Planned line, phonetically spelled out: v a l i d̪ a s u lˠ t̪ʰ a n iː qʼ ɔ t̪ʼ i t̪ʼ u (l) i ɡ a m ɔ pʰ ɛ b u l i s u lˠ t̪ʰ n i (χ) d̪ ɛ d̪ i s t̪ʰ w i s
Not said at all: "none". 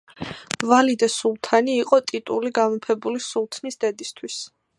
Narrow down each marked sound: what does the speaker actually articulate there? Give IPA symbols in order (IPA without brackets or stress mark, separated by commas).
l, s